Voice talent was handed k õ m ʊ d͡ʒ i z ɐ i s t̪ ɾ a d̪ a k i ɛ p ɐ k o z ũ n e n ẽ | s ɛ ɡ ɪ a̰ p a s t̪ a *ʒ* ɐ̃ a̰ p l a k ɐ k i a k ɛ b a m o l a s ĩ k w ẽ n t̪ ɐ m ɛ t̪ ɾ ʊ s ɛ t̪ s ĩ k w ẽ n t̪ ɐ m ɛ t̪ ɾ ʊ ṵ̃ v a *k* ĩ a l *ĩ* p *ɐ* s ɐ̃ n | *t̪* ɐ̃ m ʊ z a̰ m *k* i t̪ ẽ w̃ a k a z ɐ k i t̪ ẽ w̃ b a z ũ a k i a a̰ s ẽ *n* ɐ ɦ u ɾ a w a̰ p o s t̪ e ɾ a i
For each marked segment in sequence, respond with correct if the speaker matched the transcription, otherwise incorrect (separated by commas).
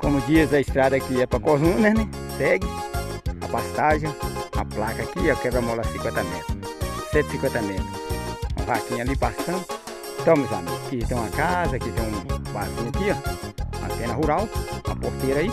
correct, correct, incorrect, incorrect, correct, correct, correct